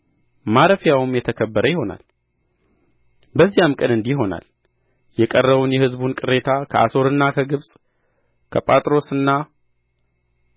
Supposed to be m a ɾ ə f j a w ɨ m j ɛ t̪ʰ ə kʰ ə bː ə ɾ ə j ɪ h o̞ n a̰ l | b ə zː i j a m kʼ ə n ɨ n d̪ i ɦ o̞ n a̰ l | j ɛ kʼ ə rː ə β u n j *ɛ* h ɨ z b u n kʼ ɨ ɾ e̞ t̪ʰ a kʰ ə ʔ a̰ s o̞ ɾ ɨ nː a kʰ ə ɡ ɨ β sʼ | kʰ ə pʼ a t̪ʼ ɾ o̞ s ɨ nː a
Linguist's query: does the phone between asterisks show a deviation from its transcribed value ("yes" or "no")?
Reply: no